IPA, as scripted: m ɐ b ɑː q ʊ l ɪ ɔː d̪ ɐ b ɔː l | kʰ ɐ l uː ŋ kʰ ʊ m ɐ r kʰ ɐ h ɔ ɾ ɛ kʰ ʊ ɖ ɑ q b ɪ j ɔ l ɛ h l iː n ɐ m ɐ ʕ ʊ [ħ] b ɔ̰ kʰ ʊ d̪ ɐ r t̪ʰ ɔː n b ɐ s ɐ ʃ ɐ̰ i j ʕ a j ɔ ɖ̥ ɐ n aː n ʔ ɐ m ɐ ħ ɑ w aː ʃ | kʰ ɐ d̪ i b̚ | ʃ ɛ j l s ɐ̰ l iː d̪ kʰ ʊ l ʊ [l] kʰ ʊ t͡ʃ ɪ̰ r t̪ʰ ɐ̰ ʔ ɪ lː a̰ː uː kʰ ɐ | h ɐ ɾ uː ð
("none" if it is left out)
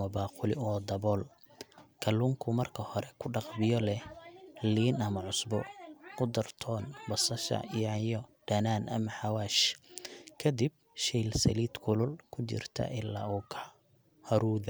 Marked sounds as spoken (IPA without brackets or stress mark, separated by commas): s, l